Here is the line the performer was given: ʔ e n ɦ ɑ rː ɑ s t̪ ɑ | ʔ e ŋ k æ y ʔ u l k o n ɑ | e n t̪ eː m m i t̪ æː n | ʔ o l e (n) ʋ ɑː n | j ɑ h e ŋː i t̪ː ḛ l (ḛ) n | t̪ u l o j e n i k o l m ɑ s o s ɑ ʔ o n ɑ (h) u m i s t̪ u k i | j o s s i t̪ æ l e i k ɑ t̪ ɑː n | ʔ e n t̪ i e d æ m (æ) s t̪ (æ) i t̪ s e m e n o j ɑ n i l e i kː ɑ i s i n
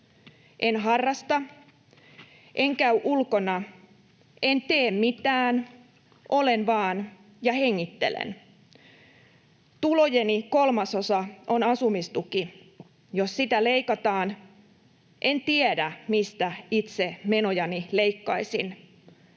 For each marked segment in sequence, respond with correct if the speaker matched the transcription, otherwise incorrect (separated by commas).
correct, correct, incorrect, incorrect, correct